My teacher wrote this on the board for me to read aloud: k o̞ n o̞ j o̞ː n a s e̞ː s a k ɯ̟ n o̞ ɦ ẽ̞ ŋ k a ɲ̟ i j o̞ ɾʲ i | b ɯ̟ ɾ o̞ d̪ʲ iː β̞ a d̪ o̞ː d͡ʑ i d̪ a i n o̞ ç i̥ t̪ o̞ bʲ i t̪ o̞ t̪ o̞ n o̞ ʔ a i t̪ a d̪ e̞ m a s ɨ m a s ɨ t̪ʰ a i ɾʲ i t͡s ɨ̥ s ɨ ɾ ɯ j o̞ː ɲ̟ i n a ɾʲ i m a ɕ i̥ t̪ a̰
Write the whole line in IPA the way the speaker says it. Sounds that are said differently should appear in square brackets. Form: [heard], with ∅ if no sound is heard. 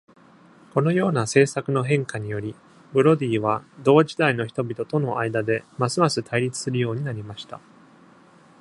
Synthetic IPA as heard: k o̞ n o̞ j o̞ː n a s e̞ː s a k ɯ̟ n o̞ ɦ ẽ̞ ŋ k a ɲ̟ i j o̞ ɾʲ i | b ɯ̟ ɾ o̞ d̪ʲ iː β̞ a d̪ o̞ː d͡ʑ i d̪ a i n o̞ ç i̥ t̪ o̞ bʲ i t̪ o̞ t̪ o̞ n o̞ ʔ a i [d̪] a d̪ e̞ m a s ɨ m a s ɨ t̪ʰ a i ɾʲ i t͡s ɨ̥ s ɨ ɾ ɯ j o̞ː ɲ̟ i n a ɾʲ i m a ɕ i̥ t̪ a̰